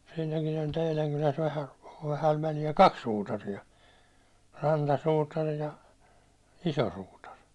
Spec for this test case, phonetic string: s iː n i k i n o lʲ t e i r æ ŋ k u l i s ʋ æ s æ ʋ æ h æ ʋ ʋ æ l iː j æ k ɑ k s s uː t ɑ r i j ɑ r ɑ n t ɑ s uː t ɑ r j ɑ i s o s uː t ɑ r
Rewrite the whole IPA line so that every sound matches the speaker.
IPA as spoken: s iː n æ k i n o lʲ t e i l æ ŋ k u l æ s ʋ æ h æ ʋ æ h æ ʋ ʋ æ l i j æ k ɑ k s s uː t ɑ r i j ɑ r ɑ n t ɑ s uː t ɑ r j ɑ i s o s uː t ɑ r